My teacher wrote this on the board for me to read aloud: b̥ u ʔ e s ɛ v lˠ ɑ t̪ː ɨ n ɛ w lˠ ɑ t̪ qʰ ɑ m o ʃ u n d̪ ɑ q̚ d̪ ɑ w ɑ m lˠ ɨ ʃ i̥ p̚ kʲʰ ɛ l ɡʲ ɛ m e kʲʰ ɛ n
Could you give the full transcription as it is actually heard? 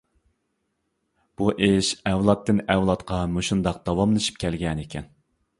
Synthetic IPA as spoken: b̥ u ʔ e ʃ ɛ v lˠ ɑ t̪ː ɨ n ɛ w lˠ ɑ t̪ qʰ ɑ m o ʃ u n d̪ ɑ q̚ d̪ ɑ w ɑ m lˠ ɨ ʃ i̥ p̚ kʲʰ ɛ l ɡʲ ɛ n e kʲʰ ɛ n